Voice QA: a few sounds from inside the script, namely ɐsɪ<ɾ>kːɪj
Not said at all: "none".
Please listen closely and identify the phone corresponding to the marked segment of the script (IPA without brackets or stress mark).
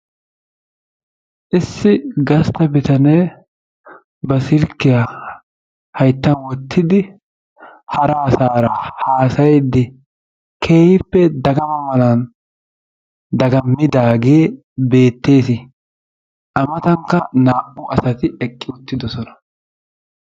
l